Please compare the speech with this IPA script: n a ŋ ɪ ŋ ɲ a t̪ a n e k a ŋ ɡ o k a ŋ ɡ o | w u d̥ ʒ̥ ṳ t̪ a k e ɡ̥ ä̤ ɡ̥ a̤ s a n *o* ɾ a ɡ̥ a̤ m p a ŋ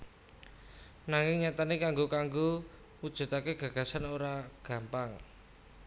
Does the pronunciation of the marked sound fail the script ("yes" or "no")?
no